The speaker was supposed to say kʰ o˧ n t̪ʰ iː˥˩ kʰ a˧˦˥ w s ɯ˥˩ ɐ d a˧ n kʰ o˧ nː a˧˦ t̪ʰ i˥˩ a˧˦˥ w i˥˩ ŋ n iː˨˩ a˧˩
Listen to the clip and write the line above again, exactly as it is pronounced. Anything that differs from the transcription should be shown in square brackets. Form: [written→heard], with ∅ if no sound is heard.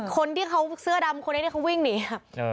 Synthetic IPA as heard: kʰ o˧ n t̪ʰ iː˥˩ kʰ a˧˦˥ w s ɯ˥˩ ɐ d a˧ [n→m] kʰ o˧ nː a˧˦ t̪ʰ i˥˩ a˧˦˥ w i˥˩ ŋ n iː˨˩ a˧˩